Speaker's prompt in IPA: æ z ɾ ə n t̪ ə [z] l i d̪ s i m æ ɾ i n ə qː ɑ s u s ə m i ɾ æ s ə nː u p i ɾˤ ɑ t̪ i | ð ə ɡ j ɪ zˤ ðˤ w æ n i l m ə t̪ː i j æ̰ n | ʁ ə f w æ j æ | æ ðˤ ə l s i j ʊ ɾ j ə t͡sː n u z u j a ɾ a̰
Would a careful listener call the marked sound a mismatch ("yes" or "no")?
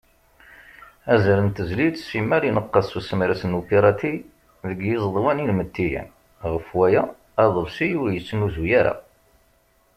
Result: no